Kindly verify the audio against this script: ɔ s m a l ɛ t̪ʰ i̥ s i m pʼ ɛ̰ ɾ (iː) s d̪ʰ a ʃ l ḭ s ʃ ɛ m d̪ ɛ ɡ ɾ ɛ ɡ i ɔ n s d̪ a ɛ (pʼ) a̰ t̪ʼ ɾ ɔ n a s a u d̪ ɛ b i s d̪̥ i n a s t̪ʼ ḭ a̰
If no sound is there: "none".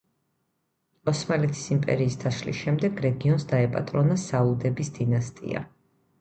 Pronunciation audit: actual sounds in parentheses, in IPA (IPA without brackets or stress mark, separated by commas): iː, pʼ